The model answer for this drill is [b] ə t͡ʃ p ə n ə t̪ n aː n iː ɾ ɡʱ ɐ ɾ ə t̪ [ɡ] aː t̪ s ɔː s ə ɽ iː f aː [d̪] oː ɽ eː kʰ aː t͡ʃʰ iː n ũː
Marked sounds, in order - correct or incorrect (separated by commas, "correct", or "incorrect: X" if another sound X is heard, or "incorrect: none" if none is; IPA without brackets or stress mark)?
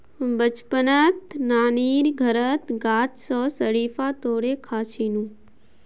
correct, correct, incorrect: t̪